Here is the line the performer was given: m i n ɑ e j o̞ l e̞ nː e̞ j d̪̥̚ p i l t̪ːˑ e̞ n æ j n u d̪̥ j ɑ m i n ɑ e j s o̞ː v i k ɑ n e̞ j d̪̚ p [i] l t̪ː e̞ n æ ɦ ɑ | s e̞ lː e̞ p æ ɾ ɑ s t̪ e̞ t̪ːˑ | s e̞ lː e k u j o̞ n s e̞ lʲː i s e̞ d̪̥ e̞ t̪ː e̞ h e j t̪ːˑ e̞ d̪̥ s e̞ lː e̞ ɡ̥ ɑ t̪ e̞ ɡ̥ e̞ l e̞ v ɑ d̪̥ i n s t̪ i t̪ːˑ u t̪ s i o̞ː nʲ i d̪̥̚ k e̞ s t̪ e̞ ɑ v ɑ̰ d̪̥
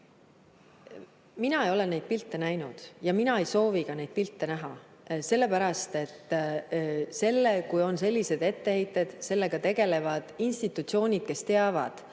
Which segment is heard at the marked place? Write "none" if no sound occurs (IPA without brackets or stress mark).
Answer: i